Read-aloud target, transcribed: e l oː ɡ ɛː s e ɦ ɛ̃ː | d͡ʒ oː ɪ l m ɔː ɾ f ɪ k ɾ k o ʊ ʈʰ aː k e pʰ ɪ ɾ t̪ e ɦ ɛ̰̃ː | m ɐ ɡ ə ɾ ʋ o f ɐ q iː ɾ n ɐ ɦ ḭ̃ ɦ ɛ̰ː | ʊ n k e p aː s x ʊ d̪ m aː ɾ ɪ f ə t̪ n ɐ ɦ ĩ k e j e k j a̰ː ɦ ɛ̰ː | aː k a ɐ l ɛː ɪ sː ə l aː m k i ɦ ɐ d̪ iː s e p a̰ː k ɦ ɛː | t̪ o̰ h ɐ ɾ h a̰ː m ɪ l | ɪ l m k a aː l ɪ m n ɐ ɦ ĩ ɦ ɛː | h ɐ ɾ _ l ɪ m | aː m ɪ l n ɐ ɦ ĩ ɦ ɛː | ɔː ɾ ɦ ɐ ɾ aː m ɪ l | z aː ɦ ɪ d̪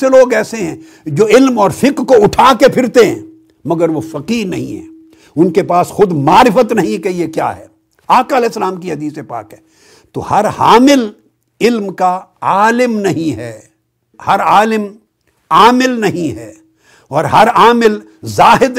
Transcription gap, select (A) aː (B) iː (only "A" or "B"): A